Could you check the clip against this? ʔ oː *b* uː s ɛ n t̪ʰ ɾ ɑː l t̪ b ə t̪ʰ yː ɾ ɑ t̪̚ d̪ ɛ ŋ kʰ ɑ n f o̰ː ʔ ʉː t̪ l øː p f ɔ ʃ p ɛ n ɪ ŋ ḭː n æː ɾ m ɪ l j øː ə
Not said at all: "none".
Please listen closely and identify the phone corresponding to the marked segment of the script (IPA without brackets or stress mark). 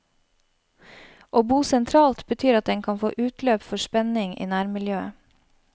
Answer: b